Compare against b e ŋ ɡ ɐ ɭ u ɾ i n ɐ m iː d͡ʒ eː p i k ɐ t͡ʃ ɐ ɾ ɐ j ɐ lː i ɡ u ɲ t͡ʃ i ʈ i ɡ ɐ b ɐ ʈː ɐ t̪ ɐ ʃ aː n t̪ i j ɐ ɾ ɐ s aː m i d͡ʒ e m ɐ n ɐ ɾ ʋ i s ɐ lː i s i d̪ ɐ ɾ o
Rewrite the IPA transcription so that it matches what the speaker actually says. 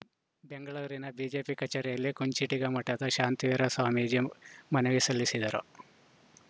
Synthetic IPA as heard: b e ŋ ɡ ɐ ɭ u ɾ i n ɐ b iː d͡ʒ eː p i k ɐ t͡ʃ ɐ ɾ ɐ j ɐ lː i k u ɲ t͡ʃ i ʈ i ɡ ɐ m ɐ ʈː ɐ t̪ ɐ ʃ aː n t̪ i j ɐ ɾ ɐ s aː m i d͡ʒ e m ɐ n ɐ ʋ i s ɐ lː i s i d̪ ɐ ɾ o